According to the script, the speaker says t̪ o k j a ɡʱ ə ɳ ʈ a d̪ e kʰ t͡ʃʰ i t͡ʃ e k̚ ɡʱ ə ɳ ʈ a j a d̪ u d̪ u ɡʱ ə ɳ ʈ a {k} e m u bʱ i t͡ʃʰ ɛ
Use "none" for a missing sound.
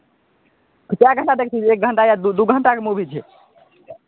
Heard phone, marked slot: k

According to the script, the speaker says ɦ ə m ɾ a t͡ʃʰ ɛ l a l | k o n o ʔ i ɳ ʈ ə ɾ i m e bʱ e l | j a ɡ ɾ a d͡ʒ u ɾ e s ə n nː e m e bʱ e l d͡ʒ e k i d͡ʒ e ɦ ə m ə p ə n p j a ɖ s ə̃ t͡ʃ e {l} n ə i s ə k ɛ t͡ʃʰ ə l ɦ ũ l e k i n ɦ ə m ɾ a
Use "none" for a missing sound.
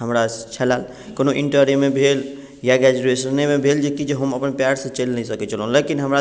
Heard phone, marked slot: l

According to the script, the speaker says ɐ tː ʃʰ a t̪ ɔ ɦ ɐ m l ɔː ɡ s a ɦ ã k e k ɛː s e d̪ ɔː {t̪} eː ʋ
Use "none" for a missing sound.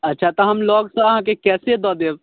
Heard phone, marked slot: d̪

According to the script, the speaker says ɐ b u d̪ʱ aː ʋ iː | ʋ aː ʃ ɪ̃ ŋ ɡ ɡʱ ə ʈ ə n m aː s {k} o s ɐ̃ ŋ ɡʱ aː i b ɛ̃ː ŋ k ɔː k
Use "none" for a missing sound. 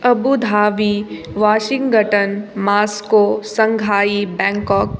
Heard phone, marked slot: k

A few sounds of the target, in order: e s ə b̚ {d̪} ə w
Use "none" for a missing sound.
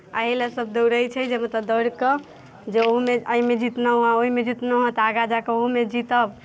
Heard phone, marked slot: d̪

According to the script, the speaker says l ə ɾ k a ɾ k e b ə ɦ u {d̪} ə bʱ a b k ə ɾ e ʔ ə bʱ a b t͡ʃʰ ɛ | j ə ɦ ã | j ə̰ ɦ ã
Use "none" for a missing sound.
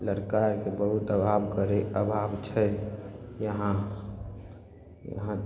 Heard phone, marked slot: t̪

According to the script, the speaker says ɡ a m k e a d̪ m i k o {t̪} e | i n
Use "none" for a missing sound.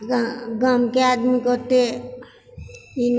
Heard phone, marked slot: t̪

